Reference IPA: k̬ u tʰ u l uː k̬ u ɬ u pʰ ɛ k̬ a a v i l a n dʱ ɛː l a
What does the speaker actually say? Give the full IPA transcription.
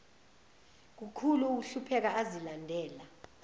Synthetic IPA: k̬ u kʰ u l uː k̬ u ɬ u pʰ ɛ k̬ a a z i l a n dʱ ɛː l a